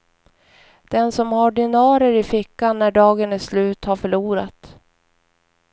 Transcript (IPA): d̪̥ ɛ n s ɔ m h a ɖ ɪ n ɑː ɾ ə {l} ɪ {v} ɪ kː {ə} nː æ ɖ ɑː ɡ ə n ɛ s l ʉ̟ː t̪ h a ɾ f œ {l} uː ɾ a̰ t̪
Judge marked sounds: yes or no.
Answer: no, no, no, no

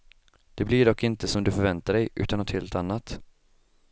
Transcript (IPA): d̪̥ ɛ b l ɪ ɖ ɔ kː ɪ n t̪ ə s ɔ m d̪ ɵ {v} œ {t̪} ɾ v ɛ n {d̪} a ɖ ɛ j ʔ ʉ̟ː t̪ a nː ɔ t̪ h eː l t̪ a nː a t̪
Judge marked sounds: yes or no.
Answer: no, no, no

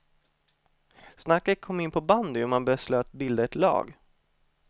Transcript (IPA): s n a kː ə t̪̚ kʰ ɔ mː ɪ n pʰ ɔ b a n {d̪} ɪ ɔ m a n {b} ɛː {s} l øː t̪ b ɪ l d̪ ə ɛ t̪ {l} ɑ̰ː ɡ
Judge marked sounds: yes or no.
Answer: yes, yes, yes, yes

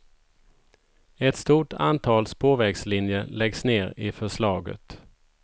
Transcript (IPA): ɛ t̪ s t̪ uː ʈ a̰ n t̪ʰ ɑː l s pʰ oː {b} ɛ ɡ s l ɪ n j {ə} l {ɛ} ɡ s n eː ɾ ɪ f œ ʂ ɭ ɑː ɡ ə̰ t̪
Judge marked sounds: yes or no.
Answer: no, yes, yes

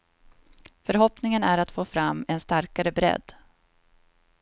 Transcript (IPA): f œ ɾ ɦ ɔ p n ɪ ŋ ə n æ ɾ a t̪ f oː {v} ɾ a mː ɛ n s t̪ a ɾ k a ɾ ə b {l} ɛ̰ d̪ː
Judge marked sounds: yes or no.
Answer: no, no

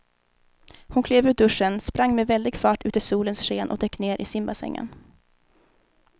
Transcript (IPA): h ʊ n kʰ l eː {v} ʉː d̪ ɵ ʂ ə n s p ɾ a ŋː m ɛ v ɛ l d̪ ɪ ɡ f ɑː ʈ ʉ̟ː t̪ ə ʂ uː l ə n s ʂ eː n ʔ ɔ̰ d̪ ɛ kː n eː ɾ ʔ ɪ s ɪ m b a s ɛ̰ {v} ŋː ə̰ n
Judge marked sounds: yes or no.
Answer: yes, no

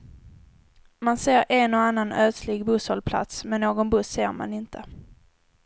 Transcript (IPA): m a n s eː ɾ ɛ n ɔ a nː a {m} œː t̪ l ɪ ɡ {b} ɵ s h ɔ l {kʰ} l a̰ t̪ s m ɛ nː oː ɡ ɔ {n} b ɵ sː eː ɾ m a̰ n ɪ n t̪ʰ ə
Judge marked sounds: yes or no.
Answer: no, yes, no, yes

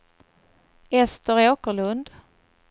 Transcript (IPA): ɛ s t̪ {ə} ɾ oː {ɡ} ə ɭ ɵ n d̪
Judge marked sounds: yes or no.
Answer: yes, no

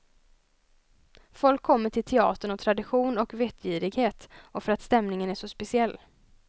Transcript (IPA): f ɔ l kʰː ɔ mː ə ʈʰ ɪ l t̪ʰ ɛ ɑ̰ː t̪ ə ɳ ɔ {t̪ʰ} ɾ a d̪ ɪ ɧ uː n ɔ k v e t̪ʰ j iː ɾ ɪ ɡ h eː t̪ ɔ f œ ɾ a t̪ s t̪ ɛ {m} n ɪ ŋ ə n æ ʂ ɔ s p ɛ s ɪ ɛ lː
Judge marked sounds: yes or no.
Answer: yes, yes

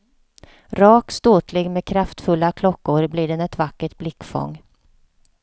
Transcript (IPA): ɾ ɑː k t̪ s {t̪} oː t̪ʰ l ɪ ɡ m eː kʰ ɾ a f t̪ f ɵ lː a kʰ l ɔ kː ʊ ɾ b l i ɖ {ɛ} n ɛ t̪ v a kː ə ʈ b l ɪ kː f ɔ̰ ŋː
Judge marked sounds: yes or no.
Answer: yes, yes

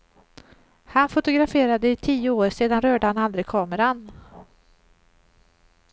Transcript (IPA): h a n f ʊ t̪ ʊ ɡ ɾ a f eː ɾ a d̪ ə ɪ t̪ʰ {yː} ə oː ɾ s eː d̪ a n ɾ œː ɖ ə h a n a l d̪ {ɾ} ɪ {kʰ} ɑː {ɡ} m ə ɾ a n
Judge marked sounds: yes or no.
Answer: no, yes, yes, no

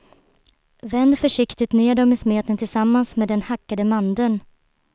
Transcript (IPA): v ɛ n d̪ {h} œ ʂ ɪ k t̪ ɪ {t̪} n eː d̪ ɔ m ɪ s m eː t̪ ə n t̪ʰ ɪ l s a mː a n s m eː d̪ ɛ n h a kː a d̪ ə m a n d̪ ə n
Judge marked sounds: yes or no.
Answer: no, yes

